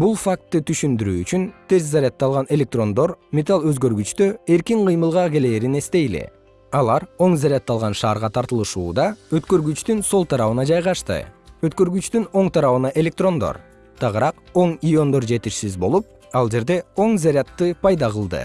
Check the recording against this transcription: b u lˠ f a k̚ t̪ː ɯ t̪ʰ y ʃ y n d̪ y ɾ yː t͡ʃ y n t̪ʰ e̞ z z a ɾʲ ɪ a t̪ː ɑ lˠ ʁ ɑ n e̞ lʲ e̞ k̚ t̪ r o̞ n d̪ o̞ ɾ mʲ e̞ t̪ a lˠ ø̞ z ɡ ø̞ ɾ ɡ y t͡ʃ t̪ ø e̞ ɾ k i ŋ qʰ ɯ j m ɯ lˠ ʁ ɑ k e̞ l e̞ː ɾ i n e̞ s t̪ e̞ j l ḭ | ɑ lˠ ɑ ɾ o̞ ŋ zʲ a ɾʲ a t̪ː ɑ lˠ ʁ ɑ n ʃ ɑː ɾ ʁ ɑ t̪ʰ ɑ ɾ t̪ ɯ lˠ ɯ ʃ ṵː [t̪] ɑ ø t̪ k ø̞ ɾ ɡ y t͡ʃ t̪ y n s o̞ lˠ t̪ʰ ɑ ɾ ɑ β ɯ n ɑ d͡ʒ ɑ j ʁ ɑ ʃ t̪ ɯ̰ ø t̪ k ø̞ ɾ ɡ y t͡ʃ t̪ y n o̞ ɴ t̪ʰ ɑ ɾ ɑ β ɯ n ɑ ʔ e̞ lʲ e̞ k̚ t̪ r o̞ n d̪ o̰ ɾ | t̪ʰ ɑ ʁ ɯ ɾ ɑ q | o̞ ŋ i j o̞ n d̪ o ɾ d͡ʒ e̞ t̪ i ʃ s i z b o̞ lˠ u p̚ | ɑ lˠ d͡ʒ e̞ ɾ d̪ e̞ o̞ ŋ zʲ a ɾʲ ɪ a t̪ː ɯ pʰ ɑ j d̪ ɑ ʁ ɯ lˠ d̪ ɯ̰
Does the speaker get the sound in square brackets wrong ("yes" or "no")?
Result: yes